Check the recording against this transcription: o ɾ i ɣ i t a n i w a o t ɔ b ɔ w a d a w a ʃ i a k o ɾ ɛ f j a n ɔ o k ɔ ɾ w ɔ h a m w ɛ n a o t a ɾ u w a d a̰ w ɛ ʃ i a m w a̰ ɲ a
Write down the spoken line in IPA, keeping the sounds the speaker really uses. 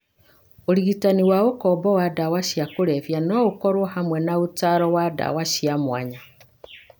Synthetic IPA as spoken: o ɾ i ɣ i t a n i w a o k ɔ b ɔ w a d a w a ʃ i a k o ɾ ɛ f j a n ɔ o k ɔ ɾ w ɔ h a m w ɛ n a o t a ɾ ɔ w a d a̰ w a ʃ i a m w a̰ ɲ a